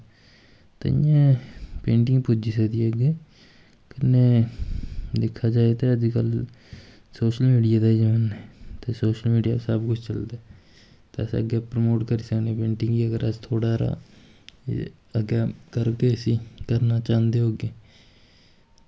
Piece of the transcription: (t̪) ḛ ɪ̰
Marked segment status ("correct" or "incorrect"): correct